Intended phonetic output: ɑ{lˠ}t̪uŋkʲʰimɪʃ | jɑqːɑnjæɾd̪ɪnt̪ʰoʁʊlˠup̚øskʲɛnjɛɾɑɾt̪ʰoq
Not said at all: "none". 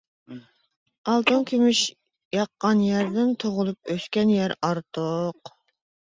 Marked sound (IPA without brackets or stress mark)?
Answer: lˠ